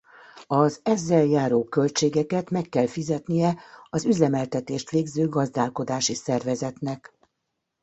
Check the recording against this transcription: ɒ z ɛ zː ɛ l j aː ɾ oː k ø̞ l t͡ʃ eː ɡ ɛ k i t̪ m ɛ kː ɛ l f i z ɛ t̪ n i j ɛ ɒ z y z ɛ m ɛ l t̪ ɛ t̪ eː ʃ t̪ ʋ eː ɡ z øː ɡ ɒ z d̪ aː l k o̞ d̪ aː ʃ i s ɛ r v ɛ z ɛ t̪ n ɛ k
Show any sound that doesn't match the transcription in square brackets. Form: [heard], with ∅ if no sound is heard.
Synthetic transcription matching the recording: ɒ z ɛ zː ɛ l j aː ɾ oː k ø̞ l t͡ʃ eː ɡ ɛ k [ɛ] t̪ m ɛ kː ɛ l f i z ɛ t̪ n i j ɛ ɒ z y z ɛ m ɛ l t̪ ɛ t̪ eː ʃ t̪ ʋ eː ɡ z øː ɡ ɒ z d̪ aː l k o̞ d̪ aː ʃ i s ɛ r v ɛ z ɛ t̪ n ɛ k